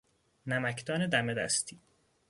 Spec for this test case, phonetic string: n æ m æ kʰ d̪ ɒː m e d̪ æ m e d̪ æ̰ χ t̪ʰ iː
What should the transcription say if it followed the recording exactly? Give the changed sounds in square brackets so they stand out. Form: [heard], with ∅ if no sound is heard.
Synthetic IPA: n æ m æ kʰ d̪ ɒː [n] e d̪ æ m e d̪ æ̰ [s] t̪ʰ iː